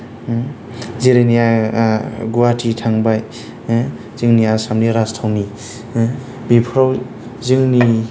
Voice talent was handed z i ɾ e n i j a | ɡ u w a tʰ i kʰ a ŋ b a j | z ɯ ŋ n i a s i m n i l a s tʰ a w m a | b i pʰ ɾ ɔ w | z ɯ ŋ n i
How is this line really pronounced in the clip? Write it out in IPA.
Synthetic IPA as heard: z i ɾ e n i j a | ɡ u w a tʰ i tʰ a ŋ b a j | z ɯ ŋ n i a s a m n i ɾ a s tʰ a w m i | b i pʰ ɾ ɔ w | z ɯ ŋ n i